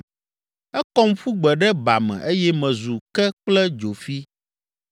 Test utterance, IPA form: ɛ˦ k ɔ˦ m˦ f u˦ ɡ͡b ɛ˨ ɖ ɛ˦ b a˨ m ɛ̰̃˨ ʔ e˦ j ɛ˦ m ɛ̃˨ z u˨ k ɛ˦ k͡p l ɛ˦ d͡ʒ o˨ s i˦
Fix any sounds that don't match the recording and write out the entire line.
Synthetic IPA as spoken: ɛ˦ k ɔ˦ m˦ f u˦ ɡ͡b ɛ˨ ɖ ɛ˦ b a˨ m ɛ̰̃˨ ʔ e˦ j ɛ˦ m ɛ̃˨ z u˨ k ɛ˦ k͡p l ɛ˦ d͡ʒ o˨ f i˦